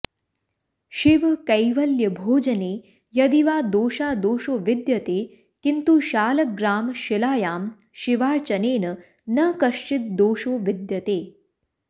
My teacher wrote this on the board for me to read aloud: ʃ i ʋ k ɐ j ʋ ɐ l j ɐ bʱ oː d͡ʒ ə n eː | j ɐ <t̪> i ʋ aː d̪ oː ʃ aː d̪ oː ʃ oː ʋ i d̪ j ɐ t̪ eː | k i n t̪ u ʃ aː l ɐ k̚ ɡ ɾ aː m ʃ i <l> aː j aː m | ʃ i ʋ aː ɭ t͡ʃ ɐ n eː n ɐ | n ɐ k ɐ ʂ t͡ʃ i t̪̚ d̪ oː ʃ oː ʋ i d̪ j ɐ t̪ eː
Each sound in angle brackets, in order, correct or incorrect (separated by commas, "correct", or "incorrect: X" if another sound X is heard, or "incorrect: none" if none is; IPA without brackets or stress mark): incorrect: d̪, correct